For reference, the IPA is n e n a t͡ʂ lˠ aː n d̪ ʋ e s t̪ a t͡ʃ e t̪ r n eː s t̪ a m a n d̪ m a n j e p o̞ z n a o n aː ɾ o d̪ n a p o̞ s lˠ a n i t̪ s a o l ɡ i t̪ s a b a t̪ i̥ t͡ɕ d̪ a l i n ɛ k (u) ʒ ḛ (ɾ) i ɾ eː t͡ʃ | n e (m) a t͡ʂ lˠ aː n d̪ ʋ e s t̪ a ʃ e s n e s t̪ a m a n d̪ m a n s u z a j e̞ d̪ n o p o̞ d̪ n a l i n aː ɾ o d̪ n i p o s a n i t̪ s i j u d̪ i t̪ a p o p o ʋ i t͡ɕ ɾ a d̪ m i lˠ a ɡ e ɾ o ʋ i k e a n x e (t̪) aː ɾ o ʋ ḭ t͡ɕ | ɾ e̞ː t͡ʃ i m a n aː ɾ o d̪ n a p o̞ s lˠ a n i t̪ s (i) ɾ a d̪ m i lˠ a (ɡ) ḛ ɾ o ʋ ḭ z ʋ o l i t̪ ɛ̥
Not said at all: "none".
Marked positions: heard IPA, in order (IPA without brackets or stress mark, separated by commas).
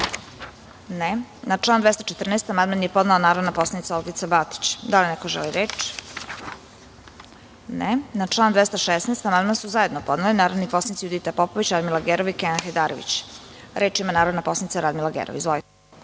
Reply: o, l, n, d̪, a, ɡ